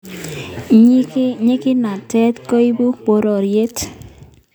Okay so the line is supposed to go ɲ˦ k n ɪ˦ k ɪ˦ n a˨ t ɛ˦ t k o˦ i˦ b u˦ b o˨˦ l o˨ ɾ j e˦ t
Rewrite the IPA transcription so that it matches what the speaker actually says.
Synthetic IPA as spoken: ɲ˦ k ɲ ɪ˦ k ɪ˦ n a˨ t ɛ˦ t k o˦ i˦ b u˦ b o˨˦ ɾ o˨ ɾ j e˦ t